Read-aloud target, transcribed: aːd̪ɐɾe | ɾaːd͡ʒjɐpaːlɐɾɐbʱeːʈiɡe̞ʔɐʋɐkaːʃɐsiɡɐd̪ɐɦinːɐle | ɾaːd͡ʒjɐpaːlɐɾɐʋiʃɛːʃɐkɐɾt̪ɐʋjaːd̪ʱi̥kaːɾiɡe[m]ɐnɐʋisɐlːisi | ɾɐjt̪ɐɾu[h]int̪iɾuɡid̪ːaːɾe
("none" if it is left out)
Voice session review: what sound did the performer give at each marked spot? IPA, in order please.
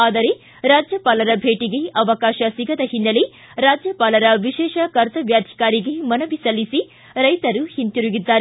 m, h

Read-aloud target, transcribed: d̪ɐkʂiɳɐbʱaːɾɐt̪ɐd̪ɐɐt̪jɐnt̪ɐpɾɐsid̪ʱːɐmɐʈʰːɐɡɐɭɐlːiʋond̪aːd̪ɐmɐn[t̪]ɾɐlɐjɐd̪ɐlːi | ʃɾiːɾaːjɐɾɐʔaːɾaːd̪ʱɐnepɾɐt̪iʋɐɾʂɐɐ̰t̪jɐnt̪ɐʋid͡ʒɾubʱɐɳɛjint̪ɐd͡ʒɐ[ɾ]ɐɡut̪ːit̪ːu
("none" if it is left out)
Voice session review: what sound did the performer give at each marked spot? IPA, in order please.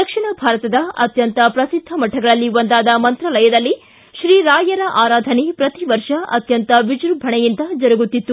t̪, ɾ

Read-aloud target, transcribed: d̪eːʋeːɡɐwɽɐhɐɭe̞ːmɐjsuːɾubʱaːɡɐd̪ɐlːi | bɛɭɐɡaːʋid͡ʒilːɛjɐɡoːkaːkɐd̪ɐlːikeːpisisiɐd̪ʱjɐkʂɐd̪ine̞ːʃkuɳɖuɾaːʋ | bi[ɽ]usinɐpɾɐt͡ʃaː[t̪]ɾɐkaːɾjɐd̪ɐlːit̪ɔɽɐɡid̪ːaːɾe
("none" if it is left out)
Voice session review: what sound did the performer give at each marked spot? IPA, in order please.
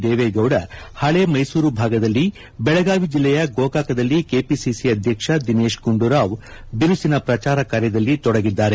ɾ, none

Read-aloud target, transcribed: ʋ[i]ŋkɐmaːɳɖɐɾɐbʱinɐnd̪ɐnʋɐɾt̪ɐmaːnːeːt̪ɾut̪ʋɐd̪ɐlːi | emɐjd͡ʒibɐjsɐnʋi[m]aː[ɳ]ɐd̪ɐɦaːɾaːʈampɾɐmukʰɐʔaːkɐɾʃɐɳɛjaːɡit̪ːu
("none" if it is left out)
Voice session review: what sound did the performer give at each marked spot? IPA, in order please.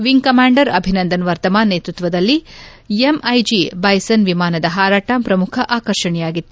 i, m, n

